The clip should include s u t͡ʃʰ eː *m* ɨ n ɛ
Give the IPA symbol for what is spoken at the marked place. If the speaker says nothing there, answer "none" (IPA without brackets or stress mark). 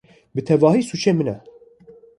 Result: m